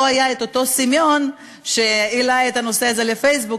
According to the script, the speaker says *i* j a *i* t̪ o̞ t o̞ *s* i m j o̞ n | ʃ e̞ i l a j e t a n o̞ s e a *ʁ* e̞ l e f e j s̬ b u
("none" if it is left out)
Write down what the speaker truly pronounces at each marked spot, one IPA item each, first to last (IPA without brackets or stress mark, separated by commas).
a, e, s, z